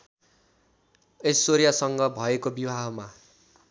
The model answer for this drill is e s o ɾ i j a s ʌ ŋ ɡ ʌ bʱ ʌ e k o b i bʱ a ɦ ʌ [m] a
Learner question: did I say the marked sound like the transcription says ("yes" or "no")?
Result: yes